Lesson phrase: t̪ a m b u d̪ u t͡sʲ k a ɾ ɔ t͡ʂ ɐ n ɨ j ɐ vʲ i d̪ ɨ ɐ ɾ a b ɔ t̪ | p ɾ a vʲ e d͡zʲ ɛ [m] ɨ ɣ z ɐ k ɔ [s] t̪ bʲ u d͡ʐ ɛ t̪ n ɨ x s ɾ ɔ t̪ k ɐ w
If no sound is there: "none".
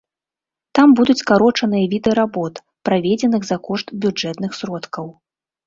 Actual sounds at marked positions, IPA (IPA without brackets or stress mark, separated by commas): n, ʂ